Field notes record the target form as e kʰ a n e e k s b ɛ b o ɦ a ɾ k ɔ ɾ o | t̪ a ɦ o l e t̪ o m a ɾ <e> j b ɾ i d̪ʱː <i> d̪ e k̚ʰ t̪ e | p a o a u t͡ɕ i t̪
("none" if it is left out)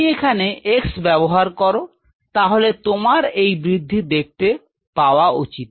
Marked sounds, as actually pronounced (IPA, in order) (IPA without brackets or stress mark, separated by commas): e, i